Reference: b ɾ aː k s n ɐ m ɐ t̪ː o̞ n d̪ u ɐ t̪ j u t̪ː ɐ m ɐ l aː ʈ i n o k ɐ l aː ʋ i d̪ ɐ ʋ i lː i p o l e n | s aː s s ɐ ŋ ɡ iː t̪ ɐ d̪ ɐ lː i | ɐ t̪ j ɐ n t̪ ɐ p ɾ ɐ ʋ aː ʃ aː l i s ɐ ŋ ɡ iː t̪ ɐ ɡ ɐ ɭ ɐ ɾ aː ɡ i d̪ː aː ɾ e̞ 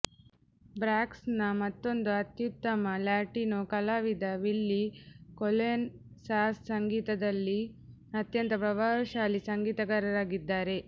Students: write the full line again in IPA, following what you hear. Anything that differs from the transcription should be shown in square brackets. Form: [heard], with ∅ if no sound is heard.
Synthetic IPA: b ɾ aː k s n ɐ m ɐ t̪ː o̞ n d̪ u ɐ t̪ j u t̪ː ɐ m ɐ l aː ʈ i n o k ɐ l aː ʋ i d̪ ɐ ʋ i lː i [k] o l e n | s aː s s ɐ ŋ ɡ iː t̪ ɐ d̪ ɐ lː i | ɐ t̪ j ɐ n t̪ ɐ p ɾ ɐ ʋ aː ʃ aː l i s ɐ ŋ ɡ iː t̪ ɐ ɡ ɐ [ɾ] ɐ ɾ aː ɡ i d̪ː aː ɾ e̞